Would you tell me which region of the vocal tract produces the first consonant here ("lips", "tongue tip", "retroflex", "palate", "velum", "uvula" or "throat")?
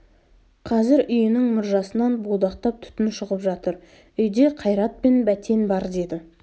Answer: uvula